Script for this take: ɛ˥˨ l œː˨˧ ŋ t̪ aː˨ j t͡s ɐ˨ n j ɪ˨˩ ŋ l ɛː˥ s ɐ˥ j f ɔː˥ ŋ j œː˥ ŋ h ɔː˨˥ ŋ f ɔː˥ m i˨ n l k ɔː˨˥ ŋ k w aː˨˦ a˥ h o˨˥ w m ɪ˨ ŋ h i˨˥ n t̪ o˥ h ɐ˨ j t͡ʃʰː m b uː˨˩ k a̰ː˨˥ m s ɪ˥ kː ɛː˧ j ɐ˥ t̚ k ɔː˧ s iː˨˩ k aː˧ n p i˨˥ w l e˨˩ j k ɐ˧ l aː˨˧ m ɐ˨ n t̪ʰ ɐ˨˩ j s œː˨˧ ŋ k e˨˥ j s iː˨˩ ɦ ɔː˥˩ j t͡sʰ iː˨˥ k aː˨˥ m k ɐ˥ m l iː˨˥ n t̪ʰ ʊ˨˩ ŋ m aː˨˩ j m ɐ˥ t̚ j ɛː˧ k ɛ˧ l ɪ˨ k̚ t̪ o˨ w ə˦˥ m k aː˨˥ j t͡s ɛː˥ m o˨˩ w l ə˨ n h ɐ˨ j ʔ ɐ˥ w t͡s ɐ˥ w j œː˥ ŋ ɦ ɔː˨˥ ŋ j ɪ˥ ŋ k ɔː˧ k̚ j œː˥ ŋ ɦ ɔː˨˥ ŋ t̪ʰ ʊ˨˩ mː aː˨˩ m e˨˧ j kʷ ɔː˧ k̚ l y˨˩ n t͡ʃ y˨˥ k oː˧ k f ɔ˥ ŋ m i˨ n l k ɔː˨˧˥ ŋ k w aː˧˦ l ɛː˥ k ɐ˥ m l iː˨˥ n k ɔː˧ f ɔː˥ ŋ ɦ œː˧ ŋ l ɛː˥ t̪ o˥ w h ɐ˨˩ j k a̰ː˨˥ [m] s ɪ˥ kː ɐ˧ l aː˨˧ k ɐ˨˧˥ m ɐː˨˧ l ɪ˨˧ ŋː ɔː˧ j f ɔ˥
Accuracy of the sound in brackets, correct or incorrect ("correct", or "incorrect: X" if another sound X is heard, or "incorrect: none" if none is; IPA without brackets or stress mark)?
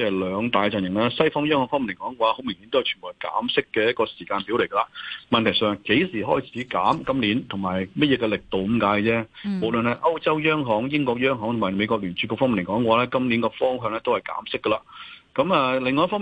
correct